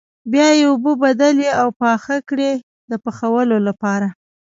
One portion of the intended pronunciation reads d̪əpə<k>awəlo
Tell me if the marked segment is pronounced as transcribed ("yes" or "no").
no